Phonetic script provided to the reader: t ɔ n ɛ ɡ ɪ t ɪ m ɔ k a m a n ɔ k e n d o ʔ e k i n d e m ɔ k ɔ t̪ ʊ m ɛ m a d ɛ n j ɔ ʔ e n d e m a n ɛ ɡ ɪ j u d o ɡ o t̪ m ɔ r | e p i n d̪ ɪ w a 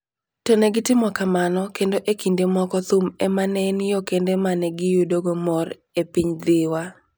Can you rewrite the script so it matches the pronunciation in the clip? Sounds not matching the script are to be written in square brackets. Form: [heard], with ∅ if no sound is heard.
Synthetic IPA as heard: t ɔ n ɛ ɡ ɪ t ɪ m ɔ k a m a n ɔ k e n d o ʔ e k i n d e m ɔ k ɔ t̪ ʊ m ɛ m a [n] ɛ n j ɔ [k] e n d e m a n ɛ ɡ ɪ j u d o ɡ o [∅] m ɔ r | e p i [ɲ] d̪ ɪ w a